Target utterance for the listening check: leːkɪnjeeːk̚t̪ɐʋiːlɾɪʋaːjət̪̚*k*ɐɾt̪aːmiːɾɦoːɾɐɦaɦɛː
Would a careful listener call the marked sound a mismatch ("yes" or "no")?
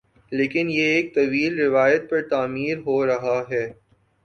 yes